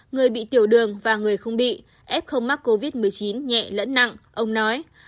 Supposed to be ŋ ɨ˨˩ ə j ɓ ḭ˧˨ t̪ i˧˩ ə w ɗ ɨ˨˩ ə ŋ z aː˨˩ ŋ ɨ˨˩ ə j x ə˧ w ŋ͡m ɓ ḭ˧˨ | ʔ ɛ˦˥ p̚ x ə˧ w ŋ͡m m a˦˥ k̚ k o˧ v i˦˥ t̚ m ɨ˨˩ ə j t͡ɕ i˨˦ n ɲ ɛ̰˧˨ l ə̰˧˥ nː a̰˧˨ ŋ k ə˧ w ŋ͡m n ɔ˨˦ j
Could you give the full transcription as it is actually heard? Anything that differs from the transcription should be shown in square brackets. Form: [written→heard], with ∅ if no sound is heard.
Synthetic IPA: ŋ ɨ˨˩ ə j ɓ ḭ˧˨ t̪ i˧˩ ə w ɗ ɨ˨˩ ə ŋ [z→v] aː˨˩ ŋ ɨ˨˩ ə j x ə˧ w ŋ͡m ɓ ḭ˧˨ | ʔ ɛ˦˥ p̚ x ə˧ w ŋ͡m m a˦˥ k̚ k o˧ v i˦˥ t̚ m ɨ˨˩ ə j t͡ɕ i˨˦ n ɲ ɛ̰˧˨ l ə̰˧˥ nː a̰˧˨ ŋ [k→ʔ] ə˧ w ŋ͡m n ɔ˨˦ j